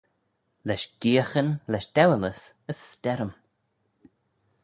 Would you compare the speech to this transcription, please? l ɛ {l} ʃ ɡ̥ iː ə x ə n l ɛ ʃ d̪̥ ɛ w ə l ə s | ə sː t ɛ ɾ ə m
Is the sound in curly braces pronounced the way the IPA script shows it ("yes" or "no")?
no